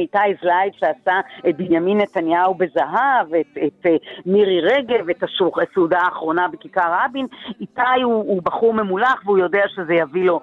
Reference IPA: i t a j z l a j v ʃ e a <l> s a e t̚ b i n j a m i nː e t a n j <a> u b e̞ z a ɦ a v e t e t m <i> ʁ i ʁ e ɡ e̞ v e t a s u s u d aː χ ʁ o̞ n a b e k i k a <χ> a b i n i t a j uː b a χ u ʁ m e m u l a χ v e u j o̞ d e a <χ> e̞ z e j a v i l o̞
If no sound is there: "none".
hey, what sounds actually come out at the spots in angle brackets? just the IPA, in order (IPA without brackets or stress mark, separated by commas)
none, a, i, ʁ, ʃ